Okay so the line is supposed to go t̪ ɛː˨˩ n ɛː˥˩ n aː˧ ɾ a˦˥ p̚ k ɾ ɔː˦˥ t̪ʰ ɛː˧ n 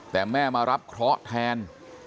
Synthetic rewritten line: t̪ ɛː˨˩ m ɛː˥˩ m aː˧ ɾ a˦˥ p̚ kʰ ɾ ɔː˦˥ t̪ʰ ɛː˧ n